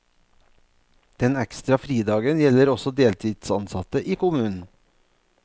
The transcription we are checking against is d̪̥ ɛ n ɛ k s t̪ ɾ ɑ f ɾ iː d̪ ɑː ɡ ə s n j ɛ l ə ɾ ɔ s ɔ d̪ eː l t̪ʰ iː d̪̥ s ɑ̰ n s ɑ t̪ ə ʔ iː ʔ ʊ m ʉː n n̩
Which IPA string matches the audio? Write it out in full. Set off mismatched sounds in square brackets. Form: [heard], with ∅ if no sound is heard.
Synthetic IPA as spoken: d̪̥ ɛ n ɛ k s t̪ ɾ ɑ f ɾ iː d̪ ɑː ɡ ə [∅] n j ɛ l ə ɾ ɔ s ɔ d̪ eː l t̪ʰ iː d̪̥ s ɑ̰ n s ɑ t̪ ə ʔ iː [k] ʊ m ʉː n n̩